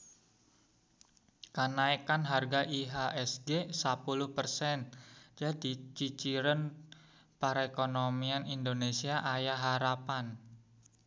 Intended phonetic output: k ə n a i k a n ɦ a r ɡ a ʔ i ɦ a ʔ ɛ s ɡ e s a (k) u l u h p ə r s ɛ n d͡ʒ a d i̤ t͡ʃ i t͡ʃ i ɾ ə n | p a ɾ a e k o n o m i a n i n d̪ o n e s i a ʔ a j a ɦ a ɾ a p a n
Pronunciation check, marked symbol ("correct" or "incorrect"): incorrect